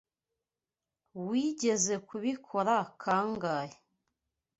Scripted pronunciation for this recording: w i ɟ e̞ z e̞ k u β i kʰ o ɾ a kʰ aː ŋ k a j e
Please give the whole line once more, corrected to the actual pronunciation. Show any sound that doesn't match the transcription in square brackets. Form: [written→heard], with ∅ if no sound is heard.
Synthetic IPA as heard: w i ɟ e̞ z e̞ k u β i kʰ o ɾ a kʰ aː ŋ [k→ɡ] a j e